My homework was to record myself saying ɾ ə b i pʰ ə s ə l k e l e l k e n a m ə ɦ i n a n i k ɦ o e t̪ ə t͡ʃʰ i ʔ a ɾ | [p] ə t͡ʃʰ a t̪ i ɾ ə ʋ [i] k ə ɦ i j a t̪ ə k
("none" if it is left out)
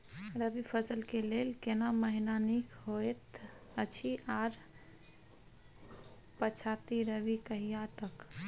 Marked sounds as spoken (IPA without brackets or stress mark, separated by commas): p, i